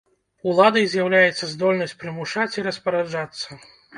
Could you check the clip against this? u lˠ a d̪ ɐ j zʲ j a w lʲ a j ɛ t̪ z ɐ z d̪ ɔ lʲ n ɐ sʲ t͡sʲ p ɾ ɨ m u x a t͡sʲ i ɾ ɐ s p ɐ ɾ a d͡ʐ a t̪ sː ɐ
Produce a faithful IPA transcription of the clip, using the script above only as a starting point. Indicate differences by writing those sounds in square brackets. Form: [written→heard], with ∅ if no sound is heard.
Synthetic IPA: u lˠ a d̪ ɐ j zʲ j a w lʲ a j ɛ t̪ [z→s] ɐ z d̪ ɔ lʲ n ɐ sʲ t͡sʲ p ɾ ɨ m u [x→ʂ] a t͡sʲ i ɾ ɐ s p ɐ ɾ a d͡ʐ a t̪ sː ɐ